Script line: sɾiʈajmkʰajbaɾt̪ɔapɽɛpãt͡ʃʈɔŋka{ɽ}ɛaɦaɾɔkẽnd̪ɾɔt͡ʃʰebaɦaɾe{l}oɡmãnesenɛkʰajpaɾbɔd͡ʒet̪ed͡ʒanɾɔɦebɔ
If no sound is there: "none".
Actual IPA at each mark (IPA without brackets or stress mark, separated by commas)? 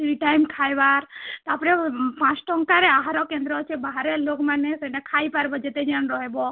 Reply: ɾ, l